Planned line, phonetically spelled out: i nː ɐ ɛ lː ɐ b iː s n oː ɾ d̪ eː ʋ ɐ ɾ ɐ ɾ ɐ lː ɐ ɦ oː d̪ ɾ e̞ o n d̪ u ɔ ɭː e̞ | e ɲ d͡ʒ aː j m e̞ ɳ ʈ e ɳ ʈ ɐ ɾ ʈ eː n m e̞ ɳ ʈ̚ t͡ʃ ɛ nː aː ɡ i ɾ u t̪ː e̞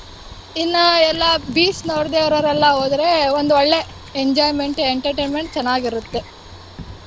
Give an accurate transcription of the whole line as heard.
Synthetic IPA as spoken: i nː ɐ ɛ lː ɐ b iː s n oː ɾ d̪ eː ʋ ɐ ɾ ɐ ɾ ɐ lː ɐ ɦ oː d̪ ɾ e̞ o n d̪ u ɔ ɭː e̞ | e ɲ d͡ʒ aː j m e̞ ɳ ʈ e ɳ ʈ ɐ ɾ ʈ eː n m e̞ ɳ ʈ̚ t͡ʃ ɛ nː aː ɡ i ɾ u t̪ː e̞